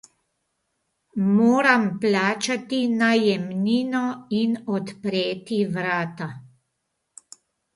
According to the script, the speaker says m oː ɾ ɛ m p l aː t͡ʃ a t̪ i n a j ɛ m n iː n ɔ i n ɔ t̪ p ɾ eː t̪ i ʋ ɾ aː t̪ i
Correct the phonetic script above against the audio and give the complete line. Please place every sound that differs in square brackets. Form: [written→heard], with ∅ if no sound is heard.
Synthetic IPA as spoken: m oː ɾ [ɛ→a] m p l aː t͡ʃ a t̪ i n a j ɛ m n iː n ɔ i n ɔ t̪ p ɾ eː t̪ i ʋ ɾ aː t̪ [i→a]